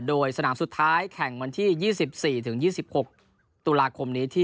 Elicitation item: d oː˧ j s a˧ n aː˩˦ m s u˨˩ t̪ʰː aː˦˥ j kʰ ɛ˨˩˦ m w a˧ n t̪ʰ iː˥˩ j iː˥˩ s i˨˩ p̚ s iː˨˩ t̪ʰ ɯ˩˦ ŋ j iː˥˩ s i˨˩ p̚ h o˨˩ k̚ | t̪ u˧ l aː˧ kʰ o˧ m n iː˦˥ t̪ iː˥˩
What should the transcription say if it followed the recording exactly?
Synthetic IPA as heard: d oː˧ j s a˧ n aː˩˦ m s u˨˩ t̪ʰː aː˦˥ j kʰ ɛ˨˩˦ ŋ w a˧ n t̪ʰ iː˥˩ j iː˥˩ s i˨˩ p̚ s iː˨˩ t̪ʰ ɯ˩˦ ŋ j iː˥˩ s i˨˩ p̚ h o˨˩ k̚ | t̪ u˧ l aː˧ kʰ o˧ m n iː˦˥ t̪ʰ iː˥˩

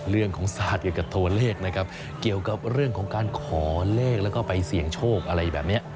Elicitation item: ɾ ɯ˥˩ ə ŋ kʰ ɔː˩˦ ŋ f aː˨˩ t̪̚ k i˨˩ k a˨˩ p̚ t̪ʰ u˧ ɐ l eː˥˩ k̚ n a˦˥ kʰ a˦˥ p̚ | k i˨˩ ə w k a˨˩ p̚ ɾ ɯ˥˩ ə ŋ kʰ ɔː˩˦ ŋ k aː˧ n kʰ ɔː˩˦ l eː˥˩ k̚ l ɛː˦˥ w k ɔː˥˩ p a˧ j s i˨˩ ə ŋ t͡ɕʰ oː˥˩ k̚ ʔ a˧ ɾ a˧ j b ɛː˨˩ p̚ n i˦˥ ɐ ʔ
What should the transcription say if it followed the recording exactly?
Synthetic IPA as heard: ɾ ɯ˥˩ ə ŋ kʰ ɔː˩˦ ŋ s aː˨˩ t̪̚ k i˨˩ k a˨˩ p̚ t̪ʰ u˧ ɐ l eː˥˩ k̚ n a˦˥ kʰ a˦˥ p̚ | k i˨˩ ə w k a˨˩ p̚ ɾ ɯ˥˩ ə ŋ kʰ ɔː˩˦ ŋ k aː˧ n kʰ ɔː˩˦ l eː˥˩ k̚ l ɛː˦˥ w k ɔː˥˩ p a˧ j s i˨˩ ə ŋ t͡ɕʰ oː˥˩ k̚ ʔ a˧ ɾ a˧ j b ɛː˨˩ p̚ n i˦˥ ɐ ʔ

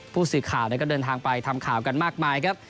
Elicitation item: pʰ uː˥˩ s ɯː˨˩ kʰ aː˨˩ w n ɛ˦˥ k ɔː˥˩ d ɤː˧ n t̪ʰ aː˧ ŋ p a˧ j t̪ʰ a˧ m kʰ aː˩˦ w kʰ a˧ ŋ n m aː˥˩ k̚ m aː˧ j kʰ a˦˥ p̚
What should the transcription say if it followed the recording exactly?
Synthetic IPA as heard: pʰ uː˥˩ s ɯː˨˩ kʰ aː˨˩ w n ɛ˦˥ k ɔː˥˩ d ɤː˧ n t̪ʰ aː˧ ŋ p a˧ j t̪ʰ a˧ m kʰ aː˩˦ w k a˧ n m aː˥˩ k̚ m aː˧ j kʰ a˦˥ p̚

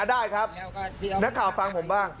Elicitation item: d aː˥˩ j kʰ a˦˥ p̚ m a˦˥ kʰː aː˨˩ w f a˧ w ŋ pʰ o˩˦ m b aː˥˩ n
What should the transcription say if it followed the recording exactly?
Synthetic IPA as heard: d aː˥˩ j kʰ a˦˥ p̚ n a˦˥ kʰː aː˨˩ w f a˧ ŋ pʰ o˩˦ m b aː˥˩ ŋ

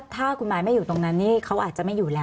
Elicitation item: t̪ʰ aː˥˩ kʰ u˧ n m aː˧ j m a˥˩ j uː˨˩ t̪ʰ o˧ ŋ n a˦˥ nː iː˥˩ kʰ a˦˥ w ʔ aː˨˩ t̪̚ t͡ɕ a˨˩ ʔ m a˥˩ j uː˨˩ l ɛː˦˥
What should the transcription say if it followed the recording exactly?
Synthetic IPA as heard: t̪ʰ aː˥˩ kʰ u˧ n m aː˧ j m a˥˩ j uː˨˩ t̪ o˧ ŋ n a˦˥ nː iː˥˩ kʰ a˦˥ w ʔ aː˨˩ t̪̚ t͡ɕ a˨˩ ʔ m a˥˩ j uː˨˩ l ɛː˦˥

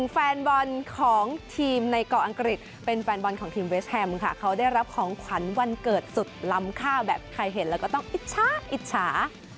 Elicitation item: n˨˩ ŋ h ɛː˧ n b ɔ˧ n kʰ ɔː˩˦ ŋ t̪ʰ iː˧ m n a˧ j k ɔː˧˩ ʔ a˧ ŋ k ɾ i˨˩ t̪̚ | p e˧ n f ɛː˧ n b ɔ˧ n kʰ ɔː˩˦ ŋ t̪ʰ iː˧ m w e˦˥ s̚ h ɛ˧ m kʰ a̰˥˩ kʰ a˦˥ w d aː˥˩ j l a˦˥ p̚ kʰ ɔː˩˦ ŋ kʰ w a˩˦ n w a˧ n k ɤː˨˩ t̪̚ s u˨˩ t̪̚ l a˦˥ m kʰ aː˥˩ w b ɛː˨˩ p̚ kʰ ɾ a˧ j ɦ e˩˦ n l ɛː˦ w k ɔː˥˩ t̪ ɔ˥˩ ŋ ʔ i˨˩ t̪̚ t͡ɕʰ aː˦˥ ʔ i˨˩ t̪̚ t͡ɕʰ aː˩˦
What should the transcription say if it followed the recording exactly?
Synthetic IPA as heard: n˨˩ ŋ f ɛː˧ n b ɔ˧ n kʰ ɔː˩˦ ŋ t̪ʰ iː˧ m n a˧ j k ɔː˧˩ ʔ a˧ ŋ k ɾ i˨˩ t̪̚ | p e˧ n f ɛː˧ n b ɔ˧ n kʰ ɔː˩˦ ŋ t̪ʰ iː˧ m w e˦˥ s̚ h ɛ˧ m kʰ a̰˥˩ kʰ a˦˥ w d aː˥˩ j ɾ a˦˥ p̚ kʰ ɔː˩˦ ŋ kʰ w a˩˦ n w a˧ n k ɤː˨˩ t̪̚ s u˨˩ t̪̚ l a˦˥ m kʰ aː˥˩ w b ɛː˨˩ p̚ kʰ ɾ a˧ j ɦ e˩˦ n l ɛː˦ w k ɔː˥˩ t̪ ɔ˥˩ ŋ ʔ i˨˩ t̪̚ t͡ɕʰ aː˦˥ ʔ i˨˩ t̪̚ t͡ɕʰ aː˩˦

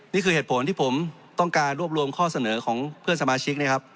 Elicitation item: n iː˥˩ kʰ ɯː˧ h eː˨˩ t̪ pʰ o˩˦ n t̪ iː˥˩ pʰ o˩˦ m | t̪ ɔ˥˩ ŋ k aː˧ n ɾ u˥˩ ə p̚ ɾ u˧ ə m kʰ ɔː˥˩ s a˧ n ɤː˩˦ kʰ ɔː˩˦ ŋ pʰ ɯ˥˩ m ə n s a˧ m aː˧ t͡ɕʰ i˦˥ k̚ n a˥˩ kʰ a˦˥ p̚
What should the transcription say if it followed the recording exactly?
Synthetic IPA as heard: n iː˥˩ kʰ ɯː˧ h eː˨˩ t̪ pʰ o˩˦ n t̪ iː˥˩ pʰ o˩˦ m | t̪ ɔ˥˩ ŋ k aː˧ n ɾ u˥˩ ə p̚ ɾ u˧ ə m kʰ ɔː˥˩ s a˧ n ɤː˩˦ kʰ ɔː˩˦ ŋ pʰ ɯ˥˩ ə n s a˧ m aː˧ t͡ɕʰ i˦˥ k̚ n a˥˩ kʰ a˦˥ p̚

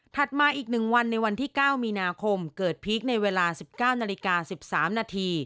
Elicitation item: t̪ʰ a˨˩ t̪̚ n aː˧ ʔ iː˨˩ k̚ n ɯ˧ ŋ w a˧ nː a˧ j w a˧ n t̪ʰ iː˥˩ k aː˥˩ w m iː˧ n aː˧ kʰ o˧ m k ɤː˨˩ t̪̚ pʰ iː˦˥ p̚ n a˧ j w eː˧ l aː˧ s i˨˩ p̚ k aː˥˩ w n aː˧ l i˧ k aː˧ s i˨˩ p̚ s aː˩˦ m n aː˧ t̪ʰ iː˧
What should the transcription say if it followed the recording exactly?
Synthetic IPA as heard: t̪ʰ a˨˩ t̪̚ m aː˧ ʔ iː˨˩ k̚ n ɯ˨˩ ŋ w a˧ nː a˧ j w a˧ n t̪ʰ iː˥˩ k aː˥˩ w m iː˧ n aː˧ kʰ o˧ m k ɤː˨˩ t̪̚ pʰ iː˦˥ k̚ n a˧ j w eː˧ l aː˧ s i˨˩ p̚ k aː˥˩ w n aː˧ l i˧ k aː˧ s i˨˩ p̚ s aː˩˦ m n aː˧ t̪ʰ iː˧

